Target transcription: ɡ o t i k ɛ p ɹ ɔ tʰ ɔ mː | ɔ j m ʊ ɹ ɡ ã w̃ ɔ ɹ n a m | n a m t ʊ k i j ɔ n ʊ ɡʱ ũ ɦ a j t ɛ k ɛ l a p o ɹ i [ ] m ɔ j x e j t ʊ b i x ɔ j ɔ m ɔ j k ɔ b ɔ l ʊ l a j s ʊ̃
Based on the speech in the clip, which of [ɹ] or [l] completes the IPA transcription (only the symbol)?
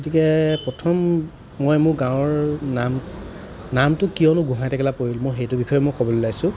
l